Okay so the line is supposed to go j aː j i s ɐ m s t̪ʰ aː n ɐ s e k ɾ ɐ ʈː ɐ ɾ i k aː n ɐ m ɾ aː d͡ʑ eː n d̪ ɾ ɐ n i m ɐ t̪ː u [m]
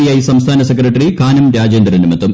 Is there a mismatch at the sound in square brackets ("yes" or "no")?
no